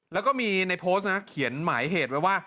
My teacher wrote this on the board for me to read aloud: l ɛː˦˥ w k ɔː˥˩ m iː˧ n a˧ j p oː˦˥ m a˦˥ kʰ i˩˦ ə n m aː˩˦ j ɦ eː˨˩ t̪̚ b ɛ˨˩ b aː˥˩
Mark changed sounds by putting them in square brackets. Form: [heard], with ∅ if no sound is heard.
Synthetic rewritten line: l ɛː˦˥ w k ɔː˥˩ m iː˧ n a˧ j [pʰ] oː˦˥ [n] a˦˥ kʰ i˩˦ ə n m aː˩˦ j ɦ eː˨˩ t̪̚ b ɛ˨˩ [w] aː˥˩